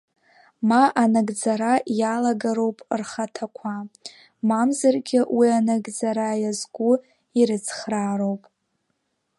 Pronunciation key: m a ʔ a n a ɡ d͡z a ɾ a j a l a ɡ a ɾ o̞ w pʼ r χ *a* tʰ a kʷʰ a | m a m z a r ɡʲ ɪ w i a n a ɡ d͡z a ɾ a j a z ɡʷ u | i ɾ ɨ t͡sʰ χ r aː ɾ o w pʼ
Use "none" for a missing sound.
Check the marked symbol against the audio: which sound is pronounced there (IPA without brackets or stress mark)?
a